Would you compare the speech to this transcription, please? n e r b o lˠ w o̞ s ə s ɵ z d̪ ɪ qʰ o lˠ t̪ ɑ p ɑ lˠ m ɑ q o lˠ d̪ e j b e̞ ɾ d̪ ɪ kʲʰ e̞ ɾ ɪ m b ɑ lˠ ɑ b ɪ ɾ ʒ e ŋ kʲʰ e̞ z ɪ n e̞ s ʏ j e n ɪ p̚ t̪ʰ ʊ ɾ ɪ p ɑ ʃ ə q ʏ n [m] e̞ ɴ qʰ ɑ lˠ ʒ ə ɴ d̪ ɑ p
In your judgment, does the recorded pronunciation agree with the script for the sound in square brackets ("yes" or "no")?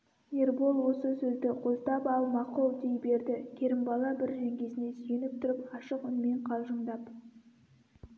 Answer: yes